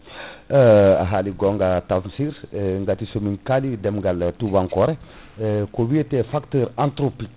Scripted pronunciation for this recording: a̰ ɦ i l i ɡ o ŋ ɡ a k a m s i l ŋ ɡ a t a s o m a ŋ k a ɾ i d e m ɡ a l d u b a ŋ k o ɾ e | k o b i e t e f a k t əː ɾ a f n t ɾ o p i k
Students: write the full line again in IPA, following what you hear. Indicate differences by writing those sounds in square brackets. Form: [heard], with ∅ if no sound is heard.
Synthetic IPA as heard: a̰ ɦ [a] l i ɡ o ŋ ɡ a [t] a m s i [ɾ] ŋ ɡ a t [i] s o m [i] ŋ k a [l] i d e m ɡ a l [t] u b a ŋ k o ɾ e | k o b i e t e f a k t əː ɾ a [∅] n t ɾ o p i k